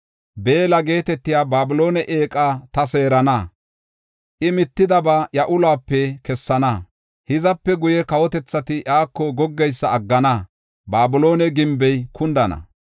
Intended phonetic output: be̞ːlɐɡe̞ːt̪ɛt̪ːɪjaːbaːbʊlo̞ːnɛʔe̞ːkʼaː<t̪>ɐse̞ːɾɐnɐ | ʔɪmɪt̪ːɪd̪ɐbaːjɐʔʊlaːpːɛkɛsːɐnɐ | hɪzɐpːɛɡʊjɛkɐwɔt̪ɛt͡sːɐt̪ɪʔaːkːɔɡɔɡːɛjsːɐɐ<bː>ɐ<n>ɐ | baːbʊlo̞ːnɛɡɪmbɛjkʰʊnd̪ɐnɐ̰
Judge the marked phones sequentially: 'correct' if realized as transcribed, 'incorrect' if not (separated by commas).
correct, incorrect, correct